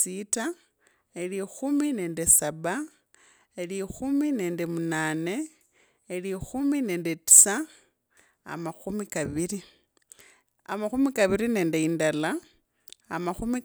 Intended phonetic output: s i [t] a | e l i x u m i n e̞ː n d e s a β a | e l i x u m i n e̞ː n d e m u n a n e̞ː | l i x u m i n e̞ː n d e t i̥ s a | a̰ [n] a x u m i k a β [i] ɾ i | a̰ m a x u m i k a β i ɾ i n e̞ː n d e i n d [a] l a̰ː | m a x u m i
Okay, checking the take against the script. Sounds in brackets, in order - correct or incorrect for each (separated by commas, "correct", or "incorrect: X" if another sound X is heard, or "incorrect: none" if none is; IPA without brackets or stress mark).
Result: correct, incorrect: m, correct, correct